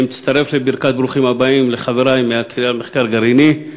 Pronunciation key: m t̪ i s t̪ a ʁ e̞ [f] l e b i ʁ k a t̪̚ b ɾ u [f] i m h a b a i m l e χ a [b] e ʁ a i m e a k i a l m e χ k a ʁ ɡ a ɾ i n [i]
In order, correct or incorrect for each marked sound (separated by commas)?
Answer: correct, incorrect, incorrect, correct